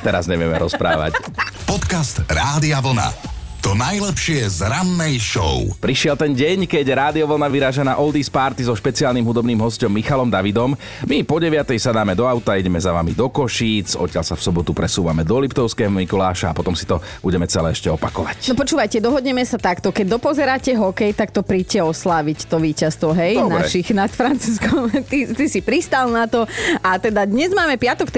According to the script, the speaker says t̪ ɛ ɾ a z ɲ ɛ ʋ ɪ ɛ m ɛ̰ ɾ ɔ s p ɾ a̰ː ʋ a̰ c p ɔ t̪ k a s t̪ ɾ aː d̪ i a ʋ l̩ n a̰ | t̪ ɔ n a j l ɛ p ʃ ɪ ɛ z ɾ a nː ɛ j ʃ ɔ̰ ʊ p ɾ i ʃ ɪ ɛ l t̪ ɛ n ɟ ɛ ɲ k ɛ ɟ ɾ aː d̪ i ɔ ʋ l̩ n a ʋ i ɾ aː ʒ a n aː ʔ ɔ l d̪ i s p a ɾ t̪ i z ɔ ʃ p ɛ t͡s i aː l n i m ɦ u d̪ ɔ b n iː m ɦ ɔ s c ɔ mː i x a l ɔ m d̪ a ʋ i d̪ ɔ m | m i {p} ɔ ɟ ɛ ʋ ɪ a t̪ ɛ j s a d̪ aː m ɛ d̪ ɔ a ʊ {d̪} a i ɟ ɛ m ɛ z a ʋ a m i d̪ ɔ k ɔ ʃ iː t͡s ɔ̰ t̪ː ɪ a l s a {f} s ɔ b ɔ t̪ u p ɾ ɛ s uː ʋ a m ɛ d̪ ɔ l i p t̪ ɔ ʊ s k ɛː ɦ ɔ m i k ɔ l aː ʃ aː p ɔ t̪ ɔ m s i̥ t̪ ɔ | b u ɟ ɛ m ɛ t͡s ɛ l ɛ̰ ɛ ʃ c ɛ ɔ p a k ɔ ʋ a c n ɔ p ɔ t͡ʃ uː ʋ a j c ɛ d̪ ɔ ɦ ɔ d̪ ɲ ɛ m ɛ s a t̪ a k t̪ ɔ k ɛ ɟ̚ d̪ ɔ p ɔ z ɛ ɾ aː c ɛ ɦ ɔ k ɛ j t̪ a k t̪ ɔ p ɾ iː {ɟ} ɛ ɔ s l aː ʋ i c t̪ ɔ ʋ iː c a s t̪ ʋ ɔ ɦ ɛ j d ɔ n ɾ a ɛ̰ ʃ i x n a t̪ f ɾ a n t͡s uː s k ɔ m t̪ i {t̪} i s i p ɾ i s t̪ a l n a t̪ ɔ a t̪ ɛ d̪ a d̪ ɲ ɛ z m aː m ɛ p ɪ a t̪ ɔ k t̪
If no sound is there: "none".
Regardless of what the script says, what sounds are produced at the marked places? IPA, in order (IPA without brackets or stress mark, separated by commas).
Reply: p, t̪, f, c, t̪